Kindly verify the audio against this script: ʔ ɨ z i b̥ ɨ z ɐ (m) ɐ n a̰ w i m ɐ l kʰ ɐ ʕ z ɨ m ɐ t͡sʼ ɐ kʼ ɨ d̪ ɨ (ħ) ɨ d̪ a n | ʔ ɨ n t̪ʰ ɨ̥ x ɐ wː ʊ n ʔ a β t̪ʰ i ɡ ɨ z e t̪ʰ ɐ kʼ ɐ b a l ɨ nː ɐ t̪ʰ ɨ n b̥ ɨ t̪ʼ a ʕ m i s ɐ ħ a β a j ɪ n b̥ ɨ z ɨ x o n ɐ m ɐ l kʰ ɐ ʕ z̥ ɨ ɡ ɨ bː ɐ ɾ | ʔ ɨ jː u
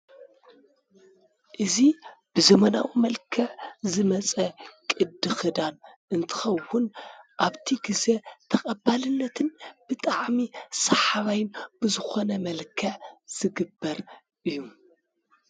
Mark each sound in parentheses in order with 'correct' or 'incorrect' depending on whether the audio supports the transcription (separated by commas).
correct, incorrect